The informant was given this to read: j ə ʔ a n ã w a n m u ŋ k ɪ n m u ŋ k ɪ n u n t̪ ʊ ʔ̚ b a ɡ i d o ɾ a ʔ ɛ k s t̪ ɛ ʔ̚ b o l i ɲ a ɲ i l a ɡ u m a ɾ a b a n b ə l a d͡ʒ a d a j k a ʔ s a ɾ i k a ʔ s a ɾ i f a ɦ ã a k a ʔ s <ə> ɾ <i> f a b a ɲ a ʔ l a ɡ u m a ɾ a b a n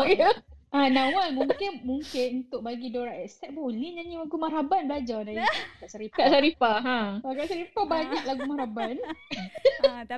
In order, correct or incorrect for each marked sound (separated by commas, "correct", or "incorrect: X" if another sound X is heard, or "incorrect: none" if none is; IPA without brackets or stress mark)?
incorrect: a, correct